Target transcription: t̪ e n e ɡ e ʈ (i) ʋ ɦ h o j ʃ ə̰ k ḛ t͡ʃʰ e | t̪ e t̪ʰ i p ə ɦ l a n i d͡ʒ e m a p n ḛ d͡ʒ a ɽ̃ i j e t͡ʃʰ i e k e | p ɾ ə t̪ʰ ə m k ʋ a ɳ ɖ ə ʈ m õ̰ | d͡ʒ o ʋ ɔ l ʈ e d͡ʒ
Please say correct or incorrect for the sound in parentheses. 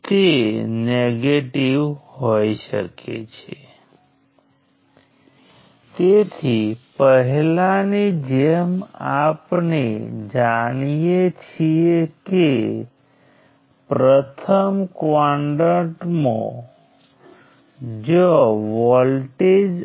correct